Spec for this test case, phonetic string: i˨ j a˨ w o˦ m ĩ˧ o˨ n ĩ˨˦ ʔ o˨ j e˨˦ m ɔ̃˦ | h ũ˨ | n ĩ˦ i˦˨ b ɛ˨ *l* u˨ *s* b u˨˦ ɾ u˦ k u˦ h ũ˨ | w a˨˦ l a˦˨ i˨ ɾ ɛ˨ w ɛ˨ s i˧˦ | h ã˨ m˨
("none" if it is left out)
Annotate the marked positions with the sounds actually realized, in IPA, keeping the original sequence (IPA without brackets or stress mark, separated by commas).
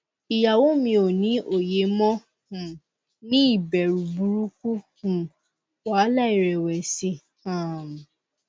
ɾ, none